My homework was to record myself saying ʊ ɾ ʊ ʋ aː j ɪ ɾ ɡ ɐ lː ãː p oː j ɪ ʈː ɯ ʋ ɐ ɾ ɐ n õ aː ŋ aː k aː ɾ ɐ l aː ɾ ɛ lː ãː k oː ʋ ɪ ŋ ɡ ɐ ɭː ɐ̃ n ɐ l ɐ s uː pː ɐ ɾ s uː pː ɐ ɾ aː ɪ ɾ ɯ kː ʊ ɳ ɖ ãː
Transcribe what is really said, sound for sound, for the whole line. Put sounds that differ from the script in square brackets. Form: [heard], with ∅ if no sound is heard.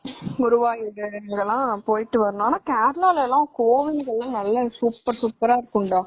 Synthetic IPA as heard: ʊ ɾ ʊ ʋ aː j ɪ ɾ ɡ ɐ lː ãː p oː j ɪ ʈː ɯ ʋ ɐ ɾ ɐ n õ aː [n] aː k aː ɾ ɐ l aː [l] ɛ lː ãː k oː ʋ ɪ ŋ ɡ ɐ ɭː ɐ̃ n ɐ [lː] ɐ s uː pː ɐ ɾ s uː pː ɐ ɾ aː ɪ ɾ ɯ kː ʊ ɳ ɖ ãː